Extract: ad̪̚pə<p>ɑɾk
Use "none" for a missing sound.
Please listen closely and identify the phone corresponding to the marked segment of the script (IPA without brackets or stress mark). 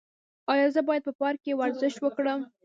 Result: p